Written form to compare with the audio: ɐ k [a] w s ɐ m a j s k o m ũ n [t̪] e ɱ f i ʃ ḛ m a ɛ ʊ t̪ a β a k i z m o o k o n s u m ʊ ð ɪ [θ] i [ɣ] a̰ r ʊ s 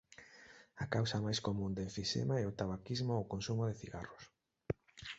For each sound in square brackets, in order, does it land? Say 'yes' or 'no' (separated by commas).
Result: yes, no, yes, yes